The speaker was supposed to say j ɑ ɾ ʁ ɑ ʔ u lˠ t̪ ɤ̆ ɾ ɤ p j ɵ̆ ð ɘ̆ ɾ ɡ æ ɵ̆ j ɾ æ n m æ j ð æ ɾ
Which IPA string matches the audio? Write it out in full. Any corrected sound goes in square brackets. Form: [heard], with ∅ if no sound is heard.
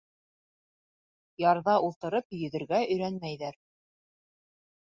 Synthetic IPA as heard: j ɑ ɾ [ð] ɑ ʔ u lˠ t̪ ɤ̆ ɾ ɤ p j ɵ̆ ð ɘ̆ ɾ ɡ æ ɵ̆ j ɾ æ n m æ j ð æ ɾ

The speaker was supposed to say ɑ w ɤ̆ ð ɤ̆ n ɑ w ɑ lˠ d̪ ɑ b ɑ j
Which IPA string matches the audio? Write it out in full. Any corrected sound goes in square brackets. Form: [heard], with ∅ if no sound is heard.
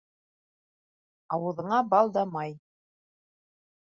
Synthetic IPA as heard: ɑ w ɤ̆ ð ɤ̆ [ɴ] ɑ [b] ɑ lˠ d̪ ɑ [m] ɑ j

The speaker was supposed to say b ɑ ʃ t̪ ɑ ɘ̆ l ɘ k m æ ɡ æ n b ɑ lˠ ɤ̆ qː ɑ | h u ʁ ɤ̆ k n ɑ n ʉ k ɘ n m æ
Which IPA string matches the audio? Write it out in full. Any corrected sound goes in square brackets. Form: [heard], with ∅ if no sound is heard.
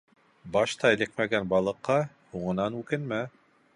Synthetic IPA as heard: b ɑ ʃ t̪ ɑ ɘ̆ l ɘ k m æ ɡ æ n b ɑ lˠ ɤ̆ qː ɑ | h u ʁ ɤ̆ [∅] n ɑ n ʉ k ɘ n m æ

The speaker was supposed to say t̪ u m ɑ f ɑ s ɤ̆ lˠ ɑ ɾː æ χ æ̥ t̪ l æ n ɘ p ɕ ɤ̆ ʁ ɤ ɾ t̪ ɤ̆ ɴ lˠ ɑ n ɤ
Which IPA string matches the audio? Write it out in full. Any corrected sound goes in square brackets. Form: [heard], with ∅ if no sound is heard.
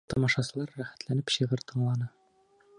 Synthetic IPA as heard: t̪ [ɒ] m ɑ [ʃ] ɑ s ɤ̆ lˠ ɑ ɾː æ χ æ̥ t̪ l æ n ɘ p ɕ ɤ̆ ʁ ɤ ɾ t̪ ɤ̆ ɴ lˠ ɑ n ɤ

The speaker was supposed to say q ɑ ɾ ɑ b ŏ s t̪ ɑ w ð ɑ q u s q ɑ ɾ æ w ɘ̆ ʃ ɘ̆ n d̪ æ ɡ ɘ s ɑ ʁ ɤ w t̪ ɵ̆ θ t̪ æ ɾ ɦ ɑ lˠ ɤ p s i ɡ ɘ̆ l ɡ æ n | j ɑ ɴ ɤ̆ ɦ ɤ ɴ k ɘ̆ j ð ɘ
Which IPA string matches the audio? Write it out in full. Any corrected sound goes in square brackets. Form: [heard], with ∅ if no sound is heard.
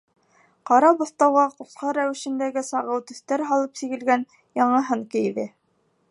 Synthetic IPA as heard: q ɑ ɾ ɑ b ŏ [θ] t̪ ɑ w [ʁ] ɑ q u s q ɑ ɾ æ w ɘ̆ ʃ ɘ̆ n d̪ æ ɡ ɘ s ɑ ʁ ɤ w t̪ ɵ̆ θ t̪ æ ɾ ɦ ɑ lˠ ɤ p s i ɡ ɘ̆ l ɡ æ n | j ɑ ɴ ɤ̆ ɦ ɤ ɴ k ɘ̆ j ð ɘ

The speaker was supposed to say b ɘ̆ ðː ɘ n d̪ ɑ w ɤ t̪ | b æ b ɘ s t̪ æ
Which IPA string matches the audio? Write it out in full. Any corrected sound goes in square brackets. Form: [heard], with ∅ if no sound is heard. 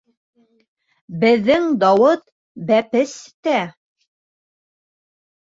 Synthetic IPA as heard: b ɘ̆ ðː ɘ [ŋ] d̪ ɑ w ɤ t̪ | b æ [p] ɘ s t̪ æ

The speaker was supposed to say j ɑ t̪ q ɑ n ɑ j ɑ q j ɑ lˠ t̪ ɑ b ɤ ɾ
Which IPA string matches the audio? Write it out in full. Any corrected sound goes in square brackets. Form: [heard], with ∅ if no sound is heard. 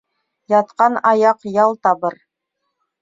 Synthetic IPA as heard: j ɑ t̪ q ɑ n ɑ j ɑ q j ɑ lˠ t̪ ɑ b ɤ ɾ

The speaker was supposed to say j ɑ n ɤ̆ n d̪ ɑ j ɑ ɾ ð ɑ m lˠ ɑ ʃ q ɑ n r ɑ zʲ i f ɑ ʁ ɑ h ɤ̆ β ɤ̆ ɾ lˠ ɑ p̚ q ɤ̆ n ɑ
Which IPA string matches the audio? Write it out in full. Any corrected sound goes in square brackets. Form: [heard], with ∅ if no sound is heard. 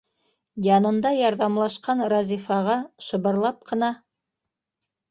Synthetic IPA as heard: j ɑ n ɤ̆ n d̪ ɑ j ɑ ɾ ð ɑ m lˠ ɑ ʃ q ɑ n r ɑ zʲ i f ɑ ʁ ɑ [ʃ] ɤ̆ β ɤ̆ ɾ lˠ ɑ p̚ q ɤ̆ n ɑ

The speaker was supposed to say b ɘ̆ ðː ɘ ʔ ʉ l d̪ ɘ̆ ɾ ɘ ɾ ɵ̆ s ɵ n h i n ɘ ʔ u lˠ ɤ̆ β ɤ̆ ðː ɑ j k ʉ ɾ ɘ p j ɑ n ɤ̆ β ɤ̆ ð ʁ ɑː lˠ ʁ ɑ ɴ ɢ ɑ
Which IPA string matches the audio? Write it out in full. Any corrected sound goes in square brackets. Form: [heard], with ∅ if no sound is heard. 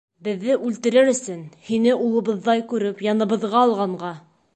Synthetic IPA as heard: b ɘ̆ ðː ɘ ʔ ʉ l [t̪] ɘ̆ ɾ ɘ ɾ ɵ̆ s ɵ n h i n ɘ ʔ u lˠ ɤ̆ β ɤ̆ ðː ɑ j k ʉ ɾ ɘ p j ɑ n ɤ̆ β ɤ̆ ð ʁ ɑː lˠ ʁ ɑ ɴ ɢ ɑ

